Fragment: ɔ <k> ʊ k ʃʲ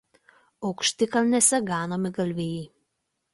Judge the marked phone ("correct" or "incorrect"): incorrect